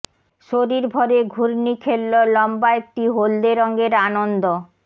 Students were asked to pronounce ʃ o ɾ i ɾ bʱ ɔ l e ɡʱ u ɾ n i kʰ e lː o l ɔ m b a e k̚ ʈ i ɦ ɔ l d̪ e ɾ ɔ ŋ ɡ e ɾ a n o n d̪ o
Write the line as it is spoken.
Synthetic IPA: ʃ o ɾ i ɾ bʱ ɔ ɾ e ɡʱ u ɾ n i kʰ e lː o l ɔ m b a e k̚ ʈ i ɦ o l d̪ e ɾ ɔ ŋ ɡ e ɾ a n o n d̪ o